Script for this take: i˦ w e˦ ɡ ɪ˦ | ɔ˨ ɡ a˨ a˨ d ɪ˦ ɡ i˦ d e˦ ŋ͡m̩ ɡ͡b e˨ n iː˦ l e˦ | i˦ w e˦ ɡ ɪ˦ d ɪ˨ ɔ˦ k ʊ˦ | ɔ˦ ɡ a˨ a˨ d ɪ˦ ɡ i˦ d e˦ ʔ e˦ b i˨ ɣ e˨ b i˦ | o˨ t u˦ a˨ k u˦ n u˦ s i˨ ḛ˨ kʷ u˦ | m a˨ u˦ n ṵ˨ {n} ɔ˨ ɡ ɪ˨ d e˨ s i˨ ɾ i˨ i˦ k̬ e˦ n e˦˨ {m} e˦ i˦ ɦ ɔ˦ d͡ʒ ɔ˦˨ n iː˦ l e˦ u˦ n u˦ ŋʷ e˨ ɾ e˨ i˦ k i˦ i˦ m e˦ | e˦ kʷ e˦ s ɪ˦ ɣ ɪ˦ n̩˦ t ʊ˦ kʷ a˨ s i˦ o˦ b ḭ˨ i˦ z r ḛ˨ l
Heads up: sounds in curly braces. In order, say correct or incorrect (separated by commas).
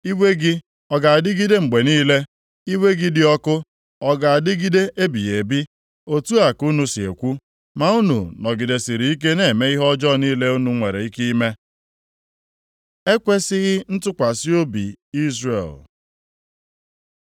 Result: correct, correct